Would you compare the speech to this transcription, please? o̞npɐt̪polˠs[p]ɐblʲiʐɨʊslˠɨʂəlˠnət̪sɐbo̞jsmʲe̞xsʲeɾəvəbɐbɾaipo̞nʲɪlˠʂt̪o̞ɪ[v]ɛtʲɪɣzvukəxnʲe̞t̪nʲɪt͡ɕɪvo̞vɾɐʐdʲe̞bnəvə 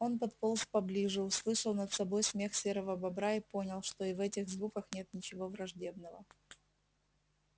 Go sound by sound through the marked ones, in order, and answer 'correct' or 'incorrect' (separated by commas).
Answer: correct, correct